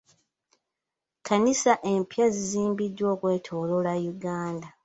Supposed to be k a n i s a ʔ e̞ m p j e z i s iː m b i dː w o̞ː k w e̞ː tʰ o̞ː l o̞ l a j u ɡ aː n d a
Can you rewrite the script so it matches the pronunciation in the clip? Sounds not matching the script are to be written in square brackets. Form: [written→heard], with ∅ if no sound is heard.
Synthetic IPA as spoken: k a n i s a ʔ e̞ m p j [e→a] z i [s→z] iː m b i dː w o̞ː k w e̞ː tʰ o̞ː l o̞ l a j u ɡ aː n d a